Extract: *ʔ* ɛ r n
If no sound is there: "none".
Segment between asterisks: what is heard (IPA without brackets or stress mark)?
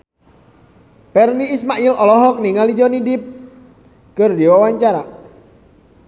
p